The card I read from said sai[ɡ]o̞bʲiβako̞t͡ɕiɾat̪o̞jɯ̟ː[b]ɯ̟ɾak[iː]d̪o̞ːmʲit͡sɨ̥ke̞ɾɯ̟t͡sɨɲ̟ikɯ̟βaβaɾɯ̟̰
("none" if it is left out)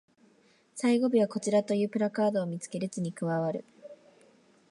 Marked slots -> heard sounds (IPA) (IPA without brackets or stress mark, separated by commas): ɡ, p, aː